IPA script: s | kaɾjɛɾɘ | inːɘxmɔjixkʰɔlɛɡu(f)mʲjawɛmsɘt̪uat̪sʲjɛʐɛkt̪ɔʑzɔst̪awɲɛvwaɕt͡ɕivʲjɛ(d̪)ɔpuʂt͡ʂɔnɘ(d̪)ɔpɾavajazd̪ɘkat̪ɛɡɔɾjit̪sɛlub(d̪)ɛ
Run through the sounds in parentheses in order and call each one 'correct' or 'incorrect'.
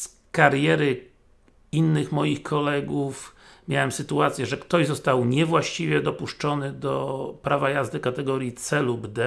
correct, correct, correct, correct

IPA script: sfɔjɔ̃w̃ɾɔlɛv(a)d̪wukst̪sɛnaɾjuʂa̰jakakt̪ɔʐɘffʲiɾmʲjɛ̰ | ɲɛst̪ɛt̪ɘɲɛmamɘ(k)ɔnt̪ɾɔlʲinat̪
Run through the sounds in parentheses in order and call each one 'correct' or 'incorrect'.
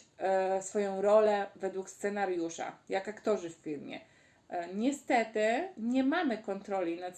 incorrect: ɛ, correct

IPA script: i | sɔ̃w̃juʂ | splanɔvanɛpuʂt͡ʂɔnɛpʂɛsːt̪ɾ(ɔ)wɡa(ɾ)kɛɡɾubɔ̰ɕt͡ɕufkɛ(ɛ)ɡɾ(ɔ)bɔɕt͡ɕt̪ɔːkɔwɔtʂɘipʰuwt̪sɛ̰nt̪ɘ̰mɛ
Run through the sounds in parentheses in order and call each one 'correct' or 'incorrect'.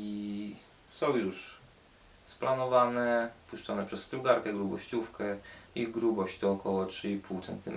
incorrect: u, correct, incorrect: i, incorrect: u

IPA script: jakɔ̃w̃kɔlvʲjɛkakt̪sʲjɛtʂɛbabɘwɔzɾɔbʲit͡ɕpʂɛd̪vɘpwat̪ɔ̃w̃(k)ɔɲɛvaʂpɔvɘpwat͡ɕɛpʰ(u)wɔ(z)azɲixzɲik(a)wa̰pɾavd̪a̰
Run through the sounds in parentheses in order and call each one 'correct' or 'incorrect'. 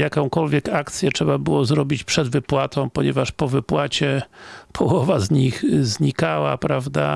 incorrect: p, incorrect: ɔ, incorrect: v, correct

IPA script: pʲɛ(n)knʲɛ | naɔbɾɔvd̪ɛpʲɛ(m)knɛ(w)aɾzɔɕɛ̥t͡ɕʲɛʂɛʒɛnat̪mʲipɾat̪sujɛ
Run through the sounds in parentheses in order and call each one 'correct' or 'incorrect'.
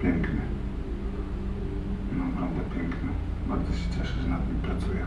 incorrect: ŋ, incorrect: ŋ, incorrect: b

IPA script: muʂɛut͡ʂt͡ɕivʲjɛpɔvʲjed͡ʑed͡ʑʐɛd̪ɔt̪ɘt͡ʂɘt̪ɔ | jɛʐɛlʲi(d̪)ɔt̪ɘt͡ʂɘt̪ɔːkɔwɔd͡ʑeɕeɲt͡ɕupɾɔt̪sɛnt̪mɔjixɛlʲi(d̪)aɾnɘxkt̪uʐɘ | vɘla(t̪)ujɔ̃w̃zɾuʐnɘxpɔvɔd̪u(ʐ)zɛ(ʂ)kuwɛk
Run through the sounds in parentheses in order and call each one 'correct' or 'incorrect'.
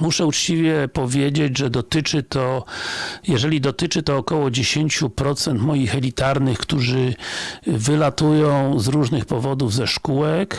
correct, incorrect: t̪, correct, incorrect: v, correct

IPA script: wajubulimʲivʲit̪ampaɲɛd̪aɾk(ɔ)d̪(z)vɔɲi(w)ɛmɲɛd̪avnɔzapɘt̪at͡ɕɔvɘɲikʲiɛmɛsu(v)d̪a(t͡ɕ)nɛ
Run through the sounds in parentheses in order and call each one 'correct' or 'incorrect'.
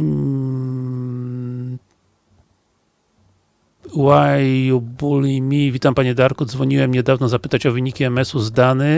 incorrect: u, correct, correct, incorrect: z, incorrect: none

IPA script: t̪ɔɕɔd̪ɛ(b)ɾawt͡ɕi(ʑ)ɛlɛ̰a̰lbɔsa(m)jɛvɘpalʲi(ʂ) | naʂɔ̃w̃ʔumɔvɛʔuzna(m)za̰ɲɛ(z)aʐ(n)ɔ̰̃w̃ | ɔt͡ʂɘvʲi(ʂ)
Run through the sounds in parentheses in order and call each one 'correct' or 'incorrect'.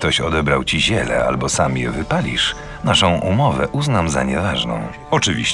correct, correct, correct, correct, correct, incorrect: v, correct, incorrect: ɕ

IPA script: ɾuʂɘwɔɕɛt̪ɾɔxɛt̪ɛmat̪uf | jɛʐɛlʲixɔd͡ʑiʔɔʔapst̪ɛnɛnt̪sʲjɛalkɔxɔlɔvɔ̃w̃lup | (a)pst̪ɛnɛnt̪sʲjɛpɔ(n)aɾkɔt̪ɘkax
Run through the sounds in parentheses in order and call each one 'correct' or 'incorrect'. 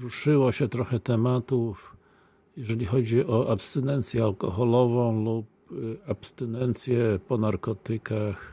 correct, correct

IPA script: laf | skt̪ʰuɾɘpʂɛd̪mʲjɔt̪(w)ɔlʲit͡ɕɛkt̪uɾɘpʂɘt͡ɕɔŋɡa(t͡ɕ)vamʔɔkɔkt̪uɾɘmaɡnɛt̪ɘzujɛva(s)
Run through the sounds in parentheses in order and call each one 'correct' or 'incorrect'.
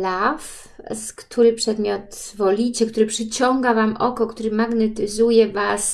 incorrect: v, incorrect: none, correct

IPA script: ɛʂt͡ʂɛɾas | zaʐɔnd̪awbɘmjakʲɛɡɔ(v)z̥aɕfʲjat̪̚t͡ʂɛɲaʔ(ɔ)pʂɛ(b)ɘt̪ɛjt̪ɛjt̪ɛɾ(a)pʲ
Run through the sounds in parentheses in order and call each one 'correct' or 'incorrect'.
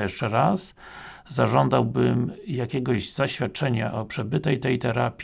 incorrect: ʑ, correct, correct, correct

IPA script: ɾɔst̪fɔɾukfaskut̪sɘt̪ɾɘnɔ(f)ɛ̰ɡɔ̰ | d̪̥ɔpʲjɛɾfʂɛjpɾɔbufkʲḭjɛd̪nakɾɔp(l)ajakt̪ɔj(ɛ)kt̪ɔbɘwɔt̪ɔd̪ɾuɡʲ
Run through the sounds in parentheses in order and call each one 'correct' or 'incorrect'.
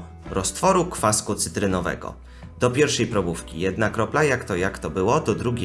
incorrect: v, correct, incorrect: a

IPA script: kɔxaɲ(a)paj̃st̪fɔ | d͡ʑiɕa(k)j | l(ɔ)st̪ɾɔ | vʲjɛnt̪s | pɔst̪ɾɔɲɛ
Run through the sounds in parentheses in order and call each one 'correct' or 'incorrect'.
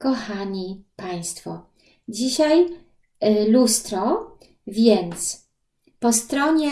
incorrect: i, incorrect: none, incorrect: u

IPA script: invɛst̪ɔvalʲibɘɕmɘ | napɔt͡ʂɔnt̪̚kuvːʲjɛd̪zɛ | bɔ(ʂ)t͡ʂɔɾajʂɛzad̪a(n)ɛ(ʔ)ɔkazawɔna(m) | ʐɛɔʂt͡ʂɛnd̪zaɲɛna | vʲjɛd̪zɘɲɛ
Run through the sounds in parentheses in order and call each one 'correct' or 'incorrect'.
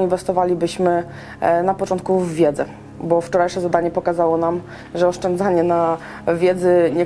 incorrect: f, incorrect: ɲ, incorrect: p, correct

